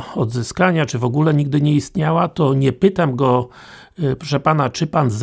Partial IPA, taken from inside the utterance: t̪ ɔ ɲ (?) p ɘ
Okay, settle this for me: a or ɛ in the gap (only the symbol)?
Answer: ɛ